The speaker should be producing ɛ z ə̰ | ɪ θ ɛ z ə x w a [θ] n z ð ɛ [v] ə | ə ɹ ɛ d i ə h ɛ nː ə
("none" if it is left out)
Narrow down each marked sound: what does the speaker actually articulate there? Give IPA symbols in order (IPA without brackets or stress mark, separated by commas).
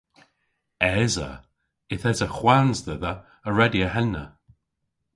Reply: none, ð